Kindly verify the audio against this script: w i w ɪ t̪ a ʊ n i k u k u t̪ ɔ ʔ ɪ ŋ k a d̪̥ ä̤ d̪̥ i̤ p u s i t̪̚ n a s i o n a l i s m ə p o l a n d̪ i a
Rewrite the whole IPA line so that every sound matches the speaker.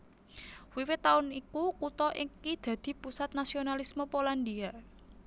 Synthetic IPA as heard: w i w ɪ t̪ a ʊ n i k u k u t̪ ɔ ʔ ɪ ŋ k i d̪̥ ä̤ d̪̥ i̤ p u s a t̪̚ n a s i o n a l i s m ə p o l a n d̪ i a